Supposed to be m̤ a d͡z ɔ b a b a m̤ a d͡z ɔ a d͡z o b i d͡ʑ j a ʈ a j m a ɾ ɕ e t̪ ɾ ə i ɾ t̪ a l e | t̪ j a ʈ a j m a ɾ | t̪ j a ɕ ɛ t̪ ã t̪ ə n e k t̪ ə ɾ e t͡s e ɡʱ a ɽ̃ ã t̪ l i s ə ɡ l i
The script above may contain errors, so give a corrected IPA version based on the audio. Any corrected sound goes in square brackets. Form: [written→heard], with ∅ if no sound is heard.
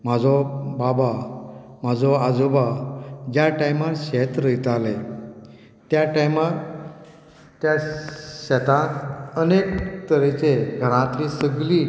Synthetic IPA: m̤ a d͡z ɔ b a b a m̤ a d͡z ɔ a d͡z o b [i→a] d͡ʑ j a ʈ a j m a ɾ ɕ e t̪ ɾ ə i [ɾ→∅] t̪ a l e | t̪ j a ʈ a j m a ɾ | t̪ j a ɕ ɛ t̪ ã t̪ ə n e k t̪ ə ɾ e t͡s e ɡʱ [a→ə] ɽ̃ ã t̪ l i s ə ɡ l i